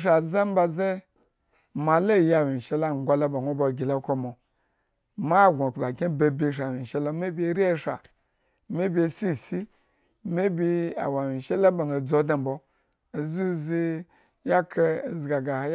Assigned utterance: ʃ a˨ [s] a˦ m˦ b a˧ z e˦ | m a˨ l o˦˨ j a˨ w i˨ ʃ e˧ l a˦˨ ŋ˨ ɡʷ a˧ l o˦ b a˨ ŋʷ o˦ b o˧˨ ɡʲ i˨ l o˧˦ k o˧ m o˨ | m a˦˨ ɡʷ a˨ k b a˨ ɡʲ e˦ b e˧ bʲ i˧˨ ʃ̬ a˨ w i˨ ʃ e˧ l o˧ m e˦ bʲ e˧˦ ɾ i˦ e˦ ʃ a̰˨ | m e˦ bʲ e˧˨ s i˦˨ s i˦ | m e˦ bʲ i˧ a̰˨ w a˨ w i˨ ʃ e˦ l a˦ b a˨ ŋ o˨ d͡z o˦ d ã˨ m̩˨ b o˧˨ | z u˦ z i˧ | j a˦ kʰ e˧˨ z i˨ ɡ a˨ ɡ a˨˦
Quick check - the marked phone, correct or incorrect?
incorrect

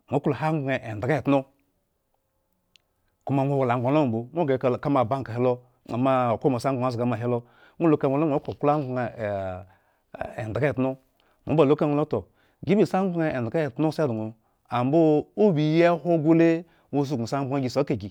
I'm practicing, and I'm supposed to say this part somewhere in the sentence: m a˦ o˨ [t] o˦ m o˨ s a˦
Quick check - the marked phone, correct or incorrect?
incorrect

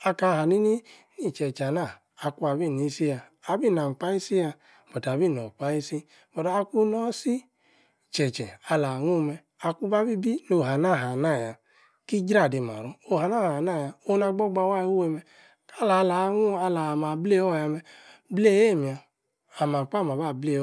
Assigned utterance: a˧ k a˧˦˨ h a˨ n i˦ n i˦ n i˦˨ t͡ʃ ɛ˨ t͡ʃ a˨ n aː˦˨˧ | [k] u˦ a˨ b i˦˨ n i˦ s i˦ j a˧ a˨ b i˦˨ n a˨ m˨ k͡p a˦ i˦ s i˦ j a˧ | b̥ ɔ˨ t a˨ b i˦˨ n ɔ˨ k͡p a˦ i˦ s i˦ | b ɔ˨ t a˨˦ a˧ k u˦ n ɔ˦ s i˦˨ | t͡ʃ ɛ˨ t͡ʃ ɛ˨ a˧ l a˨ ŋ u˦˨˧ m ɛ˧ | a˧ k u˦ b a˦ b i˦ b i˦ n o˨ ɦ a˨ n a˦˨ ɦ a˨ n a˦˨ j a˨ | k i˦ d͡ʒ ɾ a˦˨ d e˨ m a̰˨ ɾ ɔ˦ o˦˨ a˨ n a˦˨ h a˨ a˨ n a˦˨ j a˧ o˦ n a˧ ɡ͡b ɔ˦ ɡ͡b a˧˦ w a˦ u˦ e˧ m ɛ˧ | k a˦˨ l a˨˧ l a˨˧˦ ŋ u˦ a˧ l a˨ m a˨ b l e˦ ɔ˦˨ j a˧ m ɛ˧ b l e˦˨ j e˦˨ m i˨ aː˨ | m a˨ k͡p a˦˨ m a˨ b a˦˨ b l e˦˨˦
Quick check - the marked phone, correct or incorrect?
correct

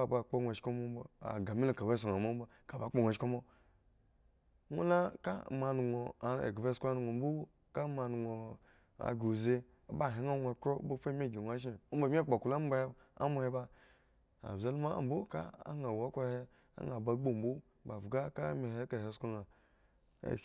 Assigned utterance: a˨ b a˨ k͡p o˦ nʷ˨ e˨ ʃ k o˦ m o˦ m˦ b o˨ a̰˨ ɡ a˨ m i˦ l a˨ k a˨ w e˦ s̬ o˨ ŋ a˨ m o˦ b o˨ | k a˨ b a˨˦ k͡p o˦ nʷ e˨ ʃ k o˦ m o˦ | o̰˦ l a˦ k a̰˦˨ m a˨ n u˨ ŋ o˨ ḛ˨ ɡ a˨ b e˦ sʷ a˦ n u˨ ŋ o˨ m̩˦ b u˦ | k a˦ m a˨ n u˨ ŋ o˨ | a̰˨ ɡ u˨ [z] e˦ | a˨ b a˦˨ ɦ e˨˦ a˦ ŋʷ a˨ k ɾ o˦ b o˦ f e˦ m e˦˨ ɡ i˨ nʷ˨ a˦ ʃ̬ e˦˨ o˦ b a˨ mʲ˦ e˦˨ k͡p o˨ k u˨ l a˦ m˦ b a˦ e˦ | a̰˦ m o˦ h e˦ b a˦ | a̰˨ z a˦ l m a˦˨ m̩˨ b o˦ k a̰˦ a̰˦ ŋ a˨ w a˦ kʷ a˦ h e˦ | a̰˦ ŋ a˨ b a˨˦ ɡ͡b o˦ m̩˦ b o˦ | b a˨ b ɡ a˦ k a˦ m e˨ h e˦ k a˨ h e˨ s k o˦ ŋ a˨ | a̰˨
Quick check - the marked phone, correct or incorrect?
correct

